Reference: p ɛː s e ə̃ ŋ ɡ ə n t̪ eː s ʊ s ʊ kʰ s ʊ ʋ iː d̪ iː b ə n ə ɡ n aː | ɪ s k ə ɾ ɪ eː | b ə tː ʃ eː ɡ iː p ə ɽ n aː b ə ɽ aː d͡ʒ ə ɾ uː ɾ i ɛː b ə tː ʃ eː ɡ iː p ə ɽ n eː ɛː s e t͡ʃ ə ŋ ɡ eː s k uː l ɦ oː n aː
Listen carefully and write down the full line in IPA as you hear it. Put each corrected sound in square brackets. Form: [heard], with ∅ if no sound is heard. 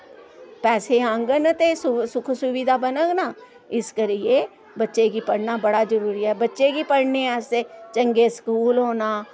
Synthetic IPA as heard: p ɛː s e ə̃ ŋ ɡ ə n t̪ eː s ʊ s ʊ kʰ s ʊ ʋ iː d̪ [aː] b ə n ə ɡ n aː | ɪ s k ə ɾ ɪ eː | b ə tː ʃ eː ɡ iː p ə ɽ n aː b ə ɽ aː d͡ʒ ə ɾ uː ɾ i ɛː b ə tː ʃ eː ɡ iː p ə ɽ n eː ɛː s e t͡ʃ ə ŋ ɡ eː s k uː l ɦ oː n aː